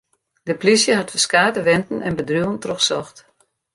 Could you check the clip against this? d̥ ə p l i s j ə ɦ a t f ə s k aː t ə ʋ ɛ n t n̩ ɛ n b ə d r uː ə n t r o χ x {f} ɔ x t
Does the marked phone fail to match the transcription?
yes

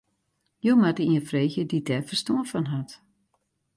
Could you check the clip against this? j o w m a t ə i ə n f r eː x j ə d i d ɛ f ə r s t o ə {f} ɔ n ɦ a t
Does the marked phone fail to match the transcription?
no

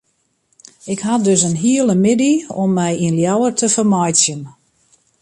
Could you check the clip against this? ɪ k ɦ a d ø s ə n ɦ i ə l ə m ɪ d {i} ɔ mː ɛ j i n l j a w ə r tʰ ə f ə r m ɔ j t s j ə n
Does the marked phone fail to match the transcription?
no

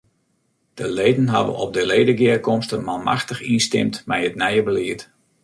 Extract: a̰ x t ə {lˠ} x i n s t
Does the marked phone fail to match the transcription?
yes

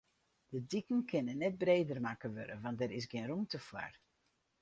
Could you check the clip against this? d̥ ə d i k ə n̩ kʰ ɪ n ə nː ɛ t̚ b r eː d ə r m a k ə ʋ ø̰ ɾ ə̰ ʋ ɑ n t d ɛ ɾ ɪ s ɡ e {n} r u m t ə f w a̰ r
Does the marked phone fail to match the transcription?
no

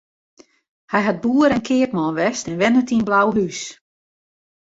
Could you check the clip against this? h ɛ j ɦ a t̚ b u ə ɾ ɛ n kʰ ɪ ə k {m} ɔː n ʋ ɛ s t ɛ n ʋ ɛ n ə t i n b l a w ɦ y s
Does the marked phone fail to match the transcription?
no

